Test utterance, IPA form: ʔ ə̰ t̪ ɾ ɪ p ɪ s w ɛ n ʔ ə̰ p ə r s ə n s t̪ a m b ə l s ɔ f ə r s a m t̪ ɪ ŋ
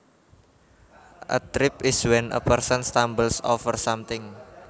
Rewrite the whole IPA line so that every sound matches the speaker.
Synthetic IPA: ʔ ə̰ t̪ ɾ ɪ p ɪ s w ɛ n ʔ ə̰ p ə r s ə n s t̪ a m b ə l s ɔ f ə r s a m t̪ ɪ ŋ

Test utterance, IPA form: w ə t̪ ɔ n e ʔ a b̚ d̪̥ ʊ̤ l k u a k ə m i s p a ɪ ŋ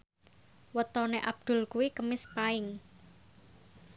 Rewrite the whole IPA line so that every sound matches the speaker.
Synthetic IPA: w ə t̪ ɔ n e ʔ a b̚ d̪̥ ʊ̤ l k u i k ə m ɪ s p a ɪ ŋ

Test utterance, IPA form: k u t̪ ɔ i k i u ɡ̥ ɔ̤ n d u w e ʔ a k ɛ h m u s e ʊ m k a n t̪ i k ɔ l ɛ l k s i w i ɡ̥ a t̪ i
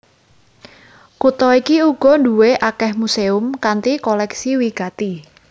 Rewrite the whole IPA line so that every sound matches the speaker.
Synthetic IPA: k u t̪ ɔ i k i u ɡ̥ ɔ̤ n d u w e ʔ a k ɛ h m u s e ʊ m k a n t̪ i k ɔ l ɛ k s i w i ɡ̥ a t̪ i

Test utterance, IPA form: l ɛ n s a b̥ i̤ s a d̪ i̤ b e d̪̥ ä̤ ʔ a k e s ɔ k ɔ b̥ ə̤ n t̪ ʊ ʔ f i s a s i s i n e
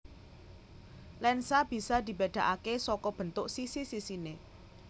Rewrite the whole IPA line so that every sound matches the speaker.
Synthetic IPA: l ɛ n s a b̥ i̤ s a d̪ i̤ b e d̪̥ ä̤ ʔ a k e s ɔ k ɔ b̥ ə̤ n t̪ ʊ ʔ s i s i s i s i n e

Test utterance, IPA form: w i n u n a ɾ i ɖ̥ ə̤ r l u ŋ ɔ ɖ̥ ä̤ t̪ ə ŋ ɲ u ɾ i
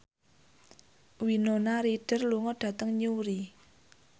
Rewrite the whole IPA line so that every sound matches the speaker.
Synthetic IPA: w i n o n a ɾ i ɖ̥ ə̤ r l u ŋ ɔ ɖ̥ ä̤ t̪ ə ŋ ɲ u ɾ i

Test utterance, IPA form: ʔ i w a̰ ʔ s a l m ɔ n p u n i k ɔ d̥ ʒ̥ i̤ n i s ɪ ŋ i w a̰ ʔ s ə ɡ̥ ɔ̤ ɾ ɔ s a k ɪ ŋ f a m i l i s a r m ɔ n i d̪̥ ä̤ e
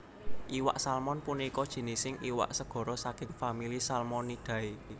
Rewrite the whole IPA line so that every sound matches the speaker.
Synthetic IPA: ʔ i w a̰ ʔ s a l m ɔ n p u n i k ɔ d̥ ʒ̥ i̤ n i s ɪ ŋ i w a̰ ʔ s ə ɡ̥ ɔ̤ ɾ ɔ s a k ɪ ŋ f a m i l i s a l m ɔ n i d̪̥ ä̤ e

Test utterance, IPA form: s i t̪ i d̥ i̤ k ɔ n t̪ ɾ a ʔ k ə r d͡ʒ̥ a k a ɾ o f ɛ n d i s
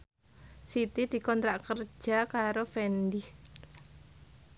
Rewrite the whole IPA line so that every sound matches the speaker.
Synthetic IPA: s i t̪ i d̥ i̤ k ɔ n t̪ ɾ a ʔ k ə r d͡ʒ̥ a k a ɾ o f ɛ n d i h

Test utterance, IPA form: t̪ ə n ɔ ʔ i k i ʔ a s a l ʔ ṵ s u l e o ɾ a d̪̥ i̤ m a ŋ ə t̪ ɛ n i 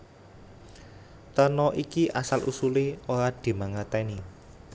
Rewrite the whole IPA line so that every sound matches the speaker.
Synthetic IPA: t̪ ə n ɔ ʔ i k i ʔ a s a l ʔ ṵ s u l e o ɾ a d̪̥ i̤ m a ŋ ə t̪ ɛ n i

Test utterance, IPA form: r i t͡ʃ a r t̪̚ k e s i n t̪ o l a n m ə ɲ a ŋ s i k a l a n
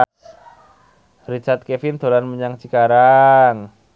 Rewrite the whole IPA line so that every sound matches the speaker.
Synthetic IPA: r i t͡ʃ a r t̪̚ k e f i n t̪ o l a n m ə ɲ a ŋ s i k a ɾ a ŋ

